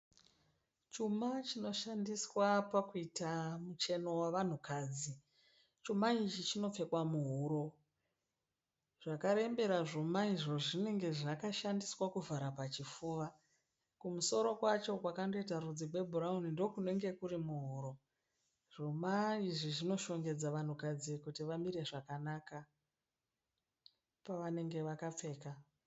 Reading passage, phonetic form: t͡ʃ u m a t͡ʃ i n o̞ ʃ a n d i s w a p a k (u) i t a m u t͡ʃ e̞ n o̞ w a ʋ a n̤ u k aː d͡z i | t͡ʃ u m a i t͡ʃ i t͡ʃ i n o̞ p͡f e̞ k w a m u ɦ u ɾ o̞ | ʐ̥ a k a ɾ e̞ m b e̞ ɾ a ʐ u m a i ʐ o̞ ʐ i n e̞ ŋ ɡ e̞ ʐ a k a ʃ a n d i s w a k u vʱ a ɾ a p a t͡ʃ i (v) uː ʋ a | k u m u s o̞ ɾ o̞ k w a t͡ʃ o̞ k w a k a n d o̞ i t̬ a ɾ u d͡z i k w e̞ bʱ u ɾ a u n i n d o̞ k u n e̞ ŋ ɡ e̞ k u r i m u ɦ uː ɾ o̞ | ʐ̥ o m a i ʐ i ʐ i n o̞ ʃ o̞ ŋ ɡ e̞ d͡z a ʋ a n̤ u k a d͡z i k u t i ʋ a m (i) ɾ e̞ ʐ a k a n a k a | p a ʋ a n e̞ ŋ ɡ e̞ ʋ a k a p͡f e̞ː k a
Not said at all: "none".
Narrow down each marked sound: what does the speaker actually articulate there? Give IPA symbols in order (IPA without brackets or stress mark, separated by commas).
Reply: u, f, i